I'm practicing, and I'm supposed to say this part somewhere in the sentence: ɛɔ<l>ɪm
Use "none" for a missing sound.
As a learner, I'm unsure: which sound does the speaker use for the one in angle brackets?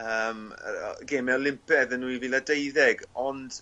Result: l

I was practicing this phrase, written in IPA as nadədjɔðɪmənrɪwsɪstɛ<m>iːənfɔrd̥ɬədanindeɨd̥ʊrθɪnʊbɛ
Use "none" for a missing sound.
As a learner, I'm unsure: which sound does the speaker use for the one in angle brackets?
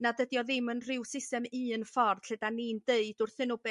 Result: m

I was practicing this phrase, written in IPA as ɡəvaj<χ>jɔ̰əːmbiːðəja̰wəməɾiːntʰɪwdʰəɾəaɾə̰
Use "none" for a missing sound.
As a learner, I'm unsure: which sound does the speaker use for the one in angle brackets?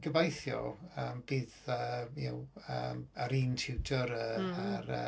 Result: θ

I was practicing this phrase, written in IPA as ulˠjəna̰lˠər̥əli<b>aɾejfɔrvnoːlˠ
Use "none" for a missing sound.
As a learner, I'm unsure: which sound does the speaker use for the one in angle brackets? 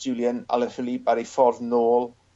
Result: b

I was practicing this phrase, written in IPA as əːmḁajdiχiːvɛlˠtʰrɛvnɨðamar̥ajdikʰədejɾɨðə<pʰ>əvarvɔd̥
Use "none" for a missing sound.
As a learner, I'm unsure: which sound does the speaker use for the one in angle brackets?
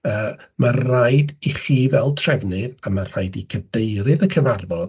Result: kʰ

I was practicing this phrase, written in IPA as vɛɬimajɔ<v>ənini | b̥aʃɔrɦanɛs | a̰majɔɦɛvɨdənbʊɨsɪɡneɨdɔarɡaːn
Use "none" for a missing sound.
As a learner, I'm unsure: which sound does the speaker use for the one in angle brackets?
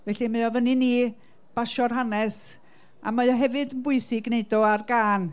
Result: v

